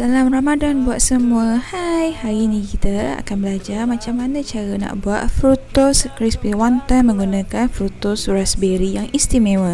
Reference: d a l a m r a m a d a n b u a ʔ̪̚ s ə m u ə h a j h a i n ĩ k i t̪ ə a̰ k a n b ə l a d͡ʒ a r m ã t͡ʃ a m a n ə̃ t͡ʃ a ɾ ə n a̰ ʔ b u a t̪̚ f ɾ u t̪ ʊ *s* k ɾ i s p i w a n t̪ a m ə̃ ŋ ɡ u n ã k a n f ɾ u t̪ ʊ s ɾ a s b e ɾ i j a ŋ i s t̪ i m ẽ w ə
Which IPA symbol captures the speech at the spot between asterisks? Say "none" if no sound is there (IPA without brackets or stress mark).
s